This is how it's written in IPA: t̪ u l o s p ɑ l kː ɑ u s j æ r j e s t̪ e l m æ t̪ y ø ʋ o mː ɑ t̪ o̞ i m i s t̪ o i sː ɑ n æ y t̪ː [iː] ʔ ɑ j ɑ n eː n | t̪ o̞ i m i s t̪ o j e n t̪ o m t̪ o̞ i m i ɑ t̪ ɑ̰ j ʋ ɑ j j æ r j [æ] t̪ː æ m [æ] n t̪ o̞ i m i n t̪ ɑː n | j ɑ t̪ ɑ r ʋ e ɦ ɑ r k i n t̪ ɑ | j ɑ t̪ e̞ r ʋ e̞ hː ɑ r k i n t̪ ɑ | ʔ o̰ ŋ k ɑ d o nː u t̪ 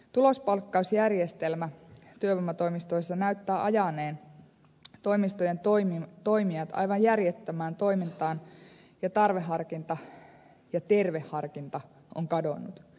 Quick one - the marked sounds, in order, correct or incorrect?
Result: incorrect, incorrect, incorrect

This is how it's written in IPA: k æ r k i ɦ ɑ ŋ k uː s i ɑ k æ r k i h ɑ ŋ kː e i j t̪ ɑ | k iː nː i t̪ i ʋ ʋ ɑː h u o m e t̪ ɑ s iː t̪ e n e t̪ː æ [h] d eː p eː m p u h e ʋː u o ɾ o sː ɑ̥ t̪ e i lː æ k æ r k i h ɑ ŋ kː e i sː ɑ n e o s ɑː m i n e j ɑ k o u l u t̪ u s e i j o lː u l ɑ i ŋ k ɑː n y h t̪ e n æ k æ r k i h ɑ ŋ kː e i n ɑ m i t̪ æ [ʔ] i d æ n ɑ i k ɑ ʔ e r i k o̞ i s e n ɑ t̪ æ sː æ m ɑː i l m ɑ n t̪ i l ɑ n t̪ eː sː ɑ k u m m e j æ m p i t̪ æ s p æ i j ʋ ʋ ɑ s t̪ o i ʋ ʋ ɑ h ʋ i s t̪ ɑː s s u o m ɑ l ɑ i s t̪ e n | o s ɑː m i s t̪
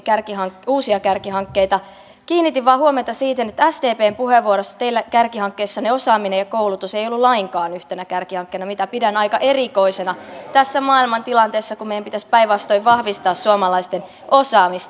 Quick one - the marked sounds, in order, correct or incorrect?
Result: incorrect, incorrect

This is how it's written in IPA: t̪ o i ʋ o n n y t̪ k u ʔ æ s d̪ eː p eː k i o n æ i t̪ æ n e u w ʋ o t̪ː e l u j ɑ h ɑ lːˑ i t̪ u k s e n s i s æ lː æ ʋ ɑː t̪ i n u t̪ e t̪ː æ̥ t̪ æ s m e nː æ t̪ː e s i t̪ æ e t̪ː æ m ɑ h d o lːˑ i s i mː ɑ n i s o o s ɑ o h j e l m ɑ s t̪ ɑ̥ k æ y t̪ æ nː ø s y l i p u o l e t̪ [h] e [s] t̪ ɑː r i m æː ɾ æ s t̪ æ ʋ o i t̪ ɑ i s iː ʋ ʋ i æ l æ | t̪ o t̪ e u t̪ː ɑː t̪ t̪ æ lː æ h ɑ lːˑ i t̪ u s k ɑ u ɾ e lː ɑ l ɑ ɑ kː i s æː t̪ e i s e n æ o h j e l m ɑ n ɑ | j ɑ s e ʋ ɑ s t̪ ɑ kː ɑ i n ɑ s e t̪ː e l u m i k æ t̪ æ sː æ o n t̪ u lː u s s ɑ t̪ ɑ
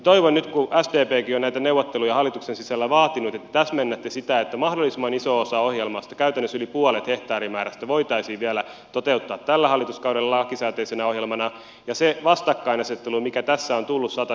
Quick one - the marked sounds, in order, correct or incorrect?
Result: correct, incorrect

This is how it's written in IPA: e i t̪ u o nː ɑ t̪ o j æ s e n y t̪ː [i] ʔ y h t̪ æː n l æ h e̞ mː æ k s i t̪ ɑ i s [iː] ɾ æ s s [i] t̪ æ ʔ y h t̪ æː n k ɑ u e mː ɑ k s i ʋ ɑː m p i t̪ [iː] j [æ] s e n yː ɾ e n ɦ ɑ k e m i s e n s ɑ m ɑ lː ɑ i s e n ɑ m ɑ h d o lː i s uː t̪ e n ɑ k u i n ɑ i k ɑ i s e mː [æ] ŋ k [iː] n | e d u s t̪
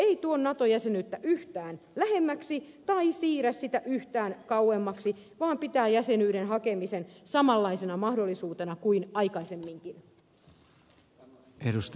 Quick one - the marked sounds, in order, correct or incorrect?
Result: incorrect, correct, correct, incorrect, correct, incorrect, incorrect

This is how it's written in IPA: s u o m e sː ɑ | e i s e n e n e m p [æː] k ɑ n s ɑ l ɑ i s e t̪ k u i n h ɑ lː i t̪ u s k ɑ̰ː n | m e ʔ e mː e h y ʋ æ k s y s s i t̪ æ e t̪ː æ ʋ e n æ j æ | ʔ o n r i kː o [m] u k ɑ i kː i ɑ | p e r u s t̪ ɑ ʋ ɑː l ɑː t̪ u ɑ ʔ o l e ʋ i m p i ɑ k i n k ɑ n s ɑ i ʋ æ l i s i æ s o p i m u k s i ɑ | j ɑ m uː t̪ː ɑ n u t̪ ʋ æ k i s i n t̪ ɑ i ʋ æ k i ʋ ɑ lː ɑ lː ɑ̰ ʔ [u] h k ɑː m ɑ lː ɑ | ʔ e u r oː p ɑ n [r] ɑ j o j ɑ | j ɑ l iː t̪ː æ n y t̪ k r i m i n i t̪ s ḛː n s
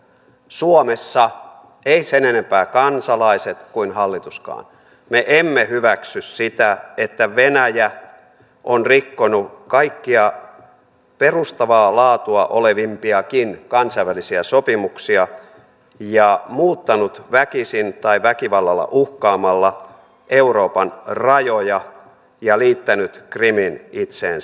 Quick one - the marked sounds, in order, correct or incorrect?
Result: correct, incorrect, correct, correct

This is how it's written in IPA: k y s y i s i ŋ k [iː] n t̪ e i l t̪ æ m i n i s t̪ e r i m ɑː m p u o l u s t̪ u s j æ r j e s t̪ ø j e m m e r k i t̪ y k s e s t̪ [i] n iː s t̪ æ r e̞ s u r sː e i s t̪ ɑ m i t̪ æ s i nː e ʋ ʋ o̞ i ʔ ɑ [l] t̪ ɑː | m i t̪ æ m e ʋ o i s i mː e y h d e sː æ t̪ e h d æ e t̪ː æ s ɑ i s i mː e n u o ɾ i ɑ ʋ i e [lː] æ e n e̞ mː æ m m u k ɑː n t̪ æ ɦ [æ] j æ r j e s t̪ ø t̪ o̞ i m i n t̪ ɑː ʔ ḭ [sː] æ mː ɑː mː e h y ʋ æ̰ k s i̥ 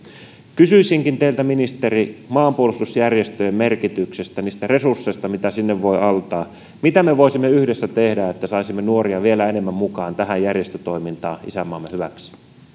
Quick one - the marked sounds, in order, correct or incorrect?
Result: incorrect, incorrect, correct, incorrect, correct, incorrect

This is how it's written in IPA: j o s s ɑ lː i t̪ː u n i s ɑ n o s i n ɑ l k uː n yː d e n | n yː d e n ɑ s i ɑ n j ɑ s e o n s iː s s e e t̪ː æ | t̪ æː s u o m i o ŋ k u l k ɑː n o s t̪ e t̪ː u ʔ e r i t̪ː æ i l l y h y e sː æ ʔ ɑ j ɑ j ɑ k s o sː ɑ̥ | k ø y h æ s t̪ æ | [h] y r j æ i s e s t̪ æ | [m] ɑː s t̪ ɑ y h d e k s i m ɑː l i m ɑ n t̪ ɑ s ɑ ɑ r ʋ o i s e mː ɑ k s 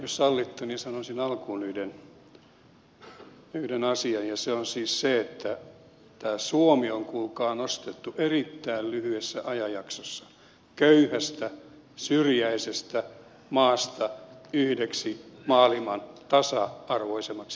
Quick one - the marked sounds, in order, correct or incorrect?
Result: incorrect, correct

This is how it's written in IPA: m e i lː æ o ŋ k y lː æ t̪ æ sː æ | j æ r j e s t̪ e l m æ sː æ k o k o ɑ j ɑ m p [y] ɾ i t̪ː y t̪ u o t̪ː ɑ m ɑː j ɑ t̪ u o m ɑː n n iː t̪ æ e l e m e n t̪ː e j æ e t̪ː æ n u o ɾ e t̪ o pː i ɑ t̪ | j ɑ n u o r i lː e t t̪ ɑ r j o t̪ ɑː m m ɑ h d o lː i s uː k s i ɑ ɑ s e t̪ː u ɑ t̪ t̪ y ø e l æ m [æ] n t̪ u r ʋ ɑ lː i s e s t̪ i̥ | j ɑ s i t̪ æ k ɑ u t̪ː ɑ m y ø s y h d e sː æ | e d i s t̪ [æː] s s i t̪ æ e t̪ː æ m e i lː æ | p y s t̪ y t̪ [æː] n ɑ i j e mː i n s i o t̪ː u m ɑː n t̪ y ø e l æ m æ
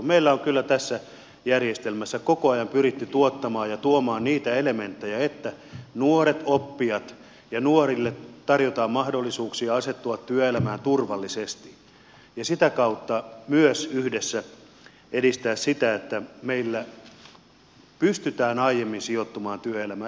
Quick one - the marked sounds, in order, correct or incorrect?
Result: correct, incorrect, correct, correct

